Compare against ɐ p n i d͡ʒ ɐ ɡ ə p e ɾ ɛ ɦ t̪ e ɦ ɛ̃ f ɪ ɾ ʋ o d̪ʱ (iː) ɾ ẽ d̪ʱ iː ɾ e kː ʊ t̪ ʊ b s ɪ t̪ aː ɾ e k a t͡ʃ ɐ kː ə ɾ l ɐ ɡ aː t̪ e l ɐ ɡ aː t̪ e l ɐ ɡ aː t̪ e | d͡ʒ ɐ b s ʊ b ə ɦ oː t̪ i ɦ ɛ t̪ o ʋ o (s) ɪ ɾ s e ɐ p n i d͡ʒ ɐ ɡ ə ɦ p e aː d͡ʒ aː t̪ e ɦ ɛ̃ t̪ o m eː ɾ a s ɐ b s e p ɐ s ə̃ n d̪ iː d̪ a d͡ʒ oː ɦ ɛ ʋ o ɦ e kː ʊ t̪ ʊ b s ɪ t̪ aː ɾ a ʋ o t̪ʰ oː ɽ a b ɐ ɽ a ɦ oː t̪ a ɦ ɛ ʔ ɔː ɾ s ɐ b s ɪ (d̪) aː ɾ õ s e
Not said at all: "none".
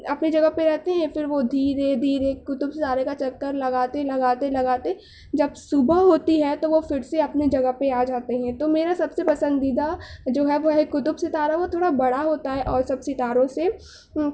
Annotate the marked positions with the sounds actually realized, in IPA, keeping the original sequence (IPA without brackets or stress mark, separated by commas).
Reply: iː, f, t̪